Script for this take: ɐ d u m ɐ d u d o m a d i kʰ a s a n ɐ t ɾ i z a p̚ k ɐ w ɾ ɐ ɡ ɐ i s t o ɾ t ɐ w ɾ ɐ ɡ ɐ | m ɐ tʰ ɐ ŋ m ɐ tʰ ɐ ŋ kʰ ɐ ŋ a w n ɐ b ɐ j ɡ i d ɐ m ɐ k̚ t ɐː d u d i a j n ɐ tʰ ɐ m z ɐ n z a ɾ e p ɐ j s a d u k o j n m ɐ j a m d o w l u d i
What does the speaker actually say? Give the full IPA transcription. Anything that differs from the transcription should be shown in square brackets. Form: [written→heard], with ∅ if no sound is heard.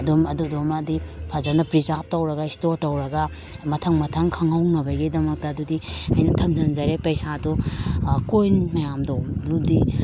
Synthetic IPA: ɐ d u m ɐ d u d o m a d i [kʰ→pʰ] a [s→z] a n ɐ [t→p] ɾ i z a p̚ [k→t] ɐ w ɾ ɐ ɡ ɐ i s t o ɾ t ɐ w ɾ ɐ ɡ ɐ | m ɐ tʰ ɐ ŋ m ɐ tʰ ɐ ŋ kʰ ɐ ŋ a w n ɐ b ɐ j ɡ i d ɐ m ɐ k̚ t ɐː d u d i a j n ɐ tʰ ɐ m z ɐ n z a ɾ e p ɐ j s a d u k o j n m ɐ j a m d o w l u d i